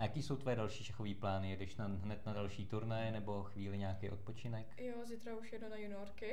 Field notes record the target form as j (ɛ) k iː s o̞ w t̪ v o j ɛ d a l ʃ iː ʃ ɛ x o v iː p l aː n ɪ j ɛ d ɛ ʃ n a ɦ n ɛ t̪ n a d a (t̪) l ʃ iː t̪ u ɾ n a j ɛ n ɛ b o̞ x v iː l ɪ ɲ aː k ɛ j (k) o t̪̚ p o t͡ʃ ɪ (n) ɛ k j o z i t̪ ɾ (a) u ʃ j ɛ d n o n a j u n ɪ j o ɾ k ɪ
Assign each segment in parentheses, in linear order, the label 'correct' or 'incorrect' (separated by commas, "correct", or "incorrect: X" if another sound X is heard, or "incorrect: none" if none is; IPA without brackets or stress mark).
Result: incorrect: a, incorrect: none, incorrect: ʔ, correct, correct